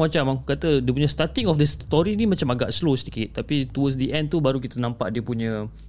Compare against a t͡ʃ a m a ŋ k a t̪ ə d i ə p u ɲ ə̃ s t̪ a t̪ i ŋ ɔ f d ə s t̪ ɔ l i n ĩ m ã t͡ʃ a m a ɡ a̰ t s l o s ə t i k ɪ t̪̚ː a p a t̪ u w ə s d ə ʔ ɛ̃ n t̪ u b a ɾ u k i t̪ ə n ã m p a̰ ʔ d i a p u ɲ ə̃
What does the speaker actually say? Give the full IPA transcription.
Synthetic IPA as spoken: a t͡ʃ a m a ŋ k a t̪ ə d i ə p u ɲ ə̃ s t̪ a t̪ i ŋ ɔ f d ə s t̪ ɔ ɾ i n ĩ m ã t͡ʃ a m a ɡ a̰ ʔ s l o s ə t i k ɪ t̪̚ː a p i t̪ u w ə s d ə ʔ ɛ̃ n t̪ u b a ɾ u k i t̪ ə n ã m p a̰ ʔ d i ə p u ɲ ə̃